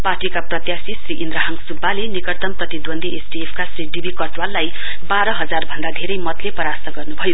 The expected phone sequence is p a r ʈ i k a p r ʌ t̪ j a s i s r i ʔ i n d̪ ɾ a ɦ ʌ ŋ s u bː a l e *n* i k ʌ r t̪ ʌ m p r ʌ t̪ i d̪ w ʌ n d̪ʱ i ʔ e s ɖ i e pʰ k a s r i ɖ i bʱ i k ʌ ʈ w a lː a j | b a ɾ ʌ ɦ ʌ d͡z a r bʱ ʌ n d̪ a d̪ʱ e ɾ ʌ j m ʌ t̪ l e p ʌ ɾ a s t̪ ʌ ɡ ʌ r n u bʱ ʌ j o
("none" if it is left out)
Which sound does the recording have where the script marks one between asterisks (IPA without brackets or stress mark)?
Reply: n